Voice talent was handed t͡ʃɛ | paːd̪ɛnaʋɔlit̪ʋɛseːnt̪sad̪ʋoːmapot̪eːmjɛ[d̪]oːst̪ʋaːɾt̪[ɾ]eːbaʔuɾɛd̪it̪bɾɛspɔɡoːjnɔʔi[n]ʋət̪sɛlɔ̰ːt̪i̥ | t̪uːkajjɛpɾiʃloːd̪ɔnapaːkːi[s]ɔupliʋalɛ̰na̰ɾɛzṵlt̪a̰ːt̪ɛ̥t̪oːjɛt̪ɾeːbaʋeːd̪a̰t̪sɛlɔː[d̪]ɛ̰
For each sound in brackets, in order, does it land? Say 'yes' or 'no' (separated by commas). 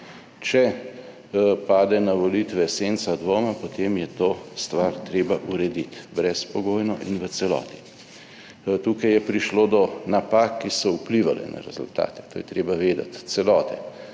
no, yes, yes, yes, no